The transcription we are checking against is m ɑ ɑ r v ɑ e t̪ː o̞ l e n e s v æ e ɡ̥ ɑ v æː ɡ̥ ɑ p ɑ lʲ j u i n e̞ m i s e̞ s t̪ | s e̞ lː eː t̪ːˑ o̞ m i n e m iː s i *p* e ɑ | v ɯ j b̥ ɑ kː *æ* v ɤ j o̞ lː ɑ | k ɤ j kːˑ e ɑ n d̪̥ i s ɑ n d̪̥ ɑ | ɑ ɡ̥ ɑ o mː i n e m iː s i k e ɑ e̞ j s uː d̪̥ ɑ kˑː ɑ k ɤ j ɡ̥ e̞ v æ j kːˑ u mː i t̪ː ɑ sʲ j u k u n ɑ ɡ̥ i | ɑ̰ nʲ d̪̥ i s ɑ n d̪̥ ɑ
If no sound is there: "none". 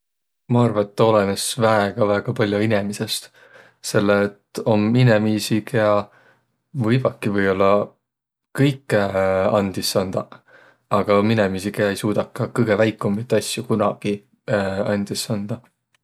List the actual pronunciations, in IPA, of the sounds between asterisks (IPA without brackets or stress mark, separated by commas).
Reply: k, i